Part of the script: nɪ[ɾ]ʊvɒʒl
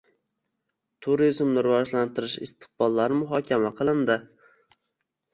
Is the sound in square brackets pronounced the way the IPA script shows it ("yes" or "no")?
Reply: yes